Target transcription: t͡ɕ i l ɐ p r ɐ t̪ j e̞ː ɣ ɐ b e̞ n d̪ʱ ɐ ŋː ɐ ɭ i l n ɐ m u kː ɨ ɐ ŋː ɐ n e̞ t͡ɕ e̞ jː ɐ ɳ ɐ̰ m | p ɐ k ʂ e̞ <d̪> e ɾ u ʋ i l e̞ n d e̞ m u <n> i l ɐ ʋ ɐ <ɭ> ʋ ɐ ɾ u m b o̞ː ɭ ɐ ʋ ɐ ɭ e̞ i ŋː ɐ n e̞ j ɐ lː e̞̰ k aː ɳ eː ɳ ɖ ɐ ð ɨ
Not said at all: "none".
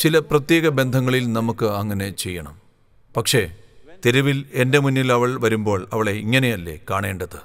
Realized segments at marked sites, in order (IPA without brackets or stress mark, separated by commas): t̪, nː, ɭ